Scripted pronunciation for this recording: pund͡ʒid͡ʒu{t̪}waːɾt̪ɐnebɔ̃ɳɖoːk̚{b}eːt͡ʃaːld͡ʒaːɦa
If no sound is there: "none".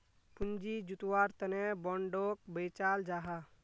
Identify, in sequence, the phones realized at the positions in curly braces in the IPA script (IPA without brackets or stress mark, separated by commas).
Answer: t̪, b